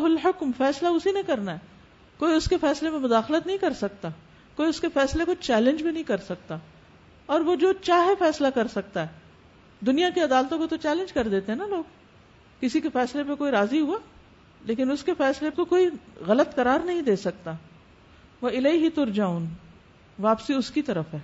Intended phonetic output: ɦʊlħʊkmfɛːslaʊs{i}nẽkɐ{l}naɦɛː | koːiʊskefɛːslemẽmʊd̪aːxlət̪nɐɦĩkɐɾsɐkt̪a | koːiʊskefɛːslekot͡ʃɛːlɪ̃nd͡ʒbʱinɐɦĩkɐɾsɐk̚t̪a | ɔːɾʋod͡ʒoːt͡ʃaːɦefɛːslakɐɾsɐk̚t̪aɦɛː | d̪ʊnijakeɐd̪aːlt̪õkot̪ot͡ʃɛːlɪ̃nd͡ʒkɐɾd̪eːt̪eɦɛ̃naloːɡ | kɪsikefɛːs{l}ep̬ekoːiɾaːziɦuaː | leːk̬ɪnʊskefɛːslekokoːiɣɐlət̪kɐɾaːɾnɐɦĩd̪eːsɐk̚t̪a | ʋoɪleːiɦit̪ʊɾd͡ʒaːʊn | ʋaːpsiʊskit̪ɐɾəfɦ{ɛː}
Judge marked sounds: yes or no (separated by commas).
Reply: yes, no, yes, yes